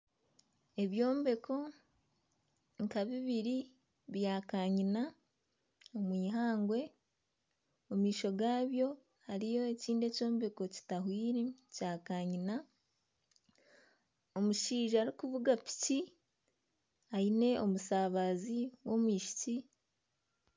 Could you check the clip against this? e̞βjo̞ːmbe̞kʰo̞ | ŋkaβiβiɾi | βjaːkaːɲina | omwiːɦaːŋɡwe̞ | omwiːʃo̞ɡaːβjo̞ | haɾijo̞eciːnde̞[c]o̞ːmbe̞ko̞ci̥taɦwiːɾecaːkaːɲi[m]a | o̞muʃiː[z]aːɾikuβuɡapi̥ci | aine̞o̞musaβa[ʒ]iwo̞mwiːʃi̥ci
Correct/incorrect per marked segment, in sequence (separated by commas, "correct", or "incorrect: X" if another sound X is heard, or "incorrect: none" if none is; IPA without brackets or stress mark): correct, incorrect: n, incorrect: ʒ, incorrect: z